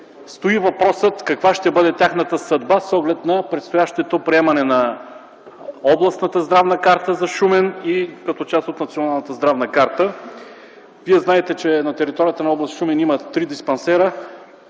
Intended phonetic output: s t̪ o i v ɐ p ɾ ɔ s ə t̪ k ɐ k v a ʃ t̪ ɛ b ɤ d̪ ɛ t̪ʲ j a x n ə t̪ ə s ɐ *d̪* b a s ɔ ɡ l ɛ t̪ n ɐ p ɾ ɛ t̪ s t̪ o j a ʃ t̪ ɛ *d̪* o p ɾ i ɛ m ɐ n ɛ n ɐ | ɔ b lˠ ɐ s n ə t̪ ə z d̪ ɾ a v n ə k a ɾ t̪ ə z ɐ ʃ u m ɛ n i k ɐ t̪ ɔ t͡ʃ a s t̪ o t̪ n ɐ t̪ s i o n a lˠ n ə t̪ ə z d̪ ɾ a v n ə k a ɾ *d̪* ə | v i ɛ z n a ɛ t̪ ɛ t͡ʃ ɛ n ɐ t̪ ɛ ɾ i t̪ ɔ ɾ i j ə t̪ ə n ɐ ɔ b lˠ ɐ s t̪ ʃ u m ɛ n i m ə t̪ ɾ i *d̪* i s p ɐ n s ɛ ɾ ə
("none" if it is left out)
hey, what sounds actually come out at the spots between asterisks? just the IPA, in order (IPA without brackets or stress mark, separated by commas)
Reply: d̪, t̪, t̪, d̪